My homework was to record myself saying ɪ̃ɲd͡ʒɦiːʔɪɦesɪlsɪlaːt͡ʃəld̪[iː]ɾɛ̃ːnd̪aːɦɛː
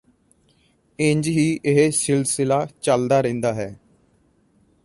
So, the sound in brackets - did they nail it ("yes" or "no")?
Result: no